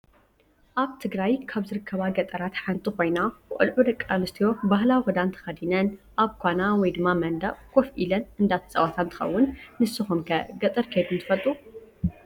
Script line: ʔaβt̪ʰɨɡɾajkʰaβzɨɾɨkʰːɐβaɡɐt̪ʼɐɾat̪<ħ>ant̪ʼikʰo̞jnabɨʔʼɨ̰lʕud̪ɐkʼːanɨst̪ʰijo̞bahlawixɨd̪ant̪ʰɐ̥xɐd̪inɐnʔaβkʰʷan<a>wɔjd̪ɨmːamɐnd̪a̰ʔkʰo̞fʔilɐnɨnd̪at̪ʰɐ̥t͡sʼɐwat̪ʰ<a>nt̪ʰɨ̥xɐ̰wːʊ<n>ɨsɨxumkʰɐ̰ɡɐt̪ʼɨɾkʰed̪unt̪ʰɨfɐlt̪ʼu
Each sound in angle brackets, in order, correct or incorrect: correct, correct, correct, incorrect: nː

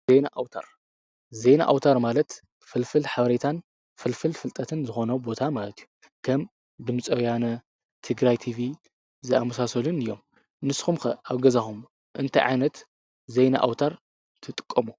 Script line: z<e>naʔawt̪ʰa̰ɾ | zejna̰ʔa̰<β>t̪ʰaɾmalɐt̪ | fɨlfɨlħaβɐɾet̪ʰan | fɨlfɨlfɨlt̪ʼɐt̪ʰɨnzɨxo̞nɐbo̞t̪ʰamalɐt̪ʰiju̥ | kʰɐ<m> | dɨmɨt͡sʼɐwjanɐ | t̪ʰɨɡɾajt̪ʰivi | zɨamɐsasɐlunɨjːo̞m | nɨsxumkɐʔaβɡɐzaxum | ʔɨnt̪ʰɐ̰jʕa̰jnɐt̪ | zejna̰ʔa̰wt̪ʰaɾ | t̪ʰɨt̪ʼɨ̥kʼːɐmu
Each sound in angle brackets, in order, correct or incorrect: correct, incorrect: w, correct

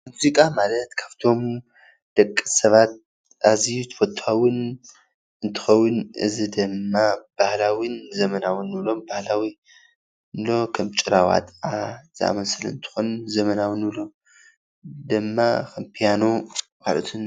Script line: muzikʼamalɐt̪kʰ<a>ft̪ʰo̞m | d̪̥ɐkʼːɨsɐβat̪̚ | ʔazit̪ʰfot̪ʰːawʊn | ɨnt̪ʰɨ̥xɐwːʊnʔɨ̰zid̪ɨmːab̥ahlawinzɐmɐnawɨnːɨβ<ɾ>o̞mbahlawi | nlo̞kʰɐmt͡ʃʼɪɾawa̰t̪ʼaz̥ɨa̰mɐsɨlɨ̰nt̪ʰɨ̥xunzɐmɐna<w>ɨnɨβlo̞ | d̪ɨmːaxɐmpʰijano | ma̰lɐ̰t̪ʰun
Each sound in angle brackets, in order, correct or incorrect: correct, incorrect: l, correct

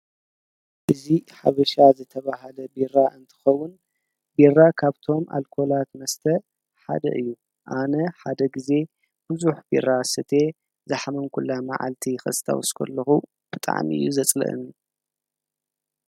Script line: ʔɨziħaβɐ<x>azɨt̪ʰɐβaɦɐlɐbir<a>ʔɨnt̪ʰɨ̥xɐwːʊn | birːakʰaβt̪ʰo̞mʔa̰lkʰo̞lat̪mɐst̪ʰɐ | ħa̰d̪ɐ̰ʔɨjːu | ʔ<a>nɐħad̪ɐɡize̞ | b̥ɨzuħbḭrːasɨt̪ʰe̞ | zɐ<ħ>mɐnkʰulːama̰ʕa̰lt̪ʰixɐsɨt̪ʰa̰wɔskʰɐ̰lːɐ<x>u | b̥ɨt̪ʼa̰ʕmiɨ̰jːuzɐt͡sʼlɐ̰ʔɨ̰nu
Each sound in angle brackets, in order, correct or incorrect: incorrect: ʃ, correct, correct, correct, correct

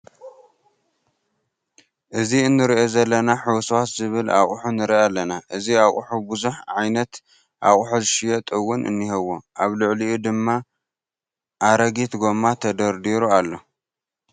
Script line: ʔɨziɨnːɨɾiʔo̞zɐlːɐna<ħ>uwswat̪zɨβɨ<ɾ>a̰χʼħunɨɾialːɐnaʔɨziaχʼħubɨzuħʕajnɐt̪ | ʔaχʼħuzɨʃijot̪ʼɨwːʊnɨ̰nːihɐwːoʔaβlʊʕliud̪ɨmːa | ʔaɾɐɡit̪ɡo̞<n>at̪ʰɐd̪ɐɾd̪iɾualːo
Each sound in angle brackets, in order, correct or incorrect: correct, incorrect: l, incorrect: m

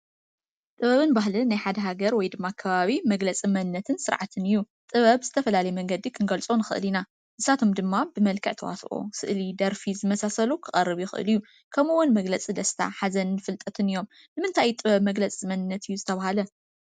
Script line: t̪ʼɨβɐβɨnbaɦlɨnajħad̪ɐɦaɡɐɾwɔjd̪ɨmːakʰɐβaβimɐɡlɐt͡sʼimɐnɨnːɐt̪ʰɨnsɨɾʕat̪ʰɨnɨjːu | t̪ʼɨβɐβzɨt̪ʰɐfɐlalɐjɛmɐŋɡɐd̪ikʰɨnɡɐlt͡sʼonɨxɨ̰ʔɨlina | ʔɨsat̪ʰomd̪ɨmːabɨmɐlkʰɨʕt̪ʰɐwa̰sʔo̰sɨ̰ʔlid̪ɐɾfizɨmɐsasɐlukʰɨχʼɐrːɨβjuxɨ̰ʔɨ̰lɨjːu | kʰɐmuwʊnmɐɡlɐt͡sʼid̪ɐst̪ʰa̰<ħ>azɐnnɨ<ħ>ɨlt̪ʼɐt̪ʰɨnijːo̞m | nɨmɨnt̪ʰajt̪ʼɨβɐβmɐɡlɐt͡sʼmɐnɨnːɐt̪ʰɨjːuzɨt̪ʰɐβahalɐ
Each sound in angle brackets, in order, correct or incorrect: correct, incorrect: f

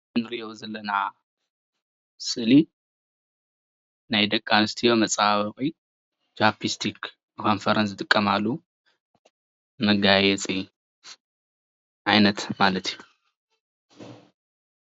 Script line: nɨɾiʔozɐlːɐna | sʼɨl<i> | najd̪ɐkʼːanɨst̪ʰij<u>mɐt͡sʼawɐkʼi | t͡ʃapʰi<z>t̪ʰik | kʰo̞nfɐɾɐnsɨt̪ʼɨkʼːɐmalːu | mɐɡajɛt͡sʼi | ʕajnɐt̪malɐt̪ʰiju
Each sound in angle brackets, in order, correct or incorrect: correct, incorrect: o, incorrect: s

